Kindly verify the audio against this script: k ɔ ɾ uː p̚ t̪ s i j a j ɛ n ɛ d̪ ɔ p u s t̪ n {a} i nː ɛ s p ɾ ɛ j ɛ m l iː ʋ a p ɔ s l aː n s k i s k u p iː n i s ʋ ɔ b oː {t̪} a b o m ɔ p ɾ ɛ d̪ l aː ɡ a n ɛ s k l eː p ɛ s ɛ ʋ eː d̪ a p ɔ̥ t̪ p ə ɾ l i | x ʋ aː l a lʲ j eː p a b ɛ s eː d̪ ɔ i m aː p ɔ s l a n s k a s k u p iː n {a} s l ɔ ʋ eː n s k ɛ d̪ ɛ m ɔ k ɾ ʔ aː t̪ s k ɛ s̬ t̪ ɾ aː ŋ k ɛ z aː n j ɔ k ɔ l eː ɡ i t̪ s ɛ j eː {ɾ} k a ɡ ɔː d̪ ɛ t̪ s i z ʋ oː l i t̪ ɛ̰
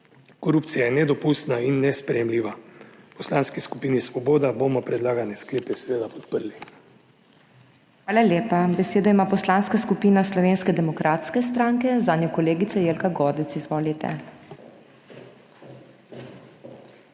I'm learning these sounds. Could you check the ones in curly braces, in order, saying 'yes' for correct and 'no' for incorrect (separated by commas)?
yes, no, yes, no